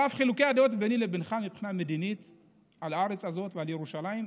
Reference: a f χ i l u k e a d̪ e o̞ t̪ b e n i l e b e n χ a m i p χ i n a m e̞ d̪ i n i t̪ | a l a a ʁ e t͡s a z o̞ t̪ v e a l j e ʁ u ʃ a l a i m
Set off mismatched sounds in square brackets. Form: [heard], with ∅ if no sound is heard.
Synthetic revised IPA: a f χ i l u k e a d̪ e o̞ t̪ b e n i l e b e n χ a m i p χ i n a m e̞ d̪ i n i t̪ | a l a a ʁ e t͡s a z o̞ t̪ v e a l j e ʁ u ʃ a l a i m